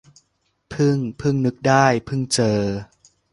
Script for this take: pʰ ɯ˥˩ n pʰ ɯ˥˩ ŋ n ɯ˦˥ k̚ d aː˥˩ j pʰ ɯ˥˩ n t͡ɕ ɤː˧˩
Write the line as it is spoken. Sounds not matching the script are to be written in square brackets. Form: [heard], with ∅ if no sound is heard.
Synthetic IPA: pʰ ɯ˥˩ [ŋ] pʰ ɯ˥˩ ŋ n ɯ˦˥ k̚ d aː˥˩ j pʰ ɯ˥˩ [ŋ] t͡ɕ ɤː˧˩